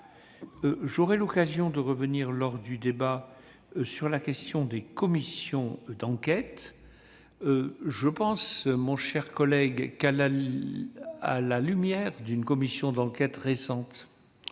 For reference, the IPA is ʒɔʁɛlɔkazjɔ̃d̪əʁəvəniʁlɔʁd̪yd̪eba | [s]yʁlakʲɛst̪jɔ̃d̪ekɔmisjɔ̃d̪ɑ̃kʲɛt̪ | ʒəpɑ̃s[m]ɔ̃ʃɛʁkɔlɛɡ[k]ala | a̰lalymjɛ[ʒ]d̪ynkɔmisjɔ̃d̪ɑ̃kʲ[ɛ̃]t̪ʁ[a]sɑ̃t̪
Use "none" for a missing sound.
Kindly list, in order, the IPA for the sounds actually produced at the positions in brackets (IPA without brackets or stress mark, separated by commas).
s, m, k, ʁ, ɛ, e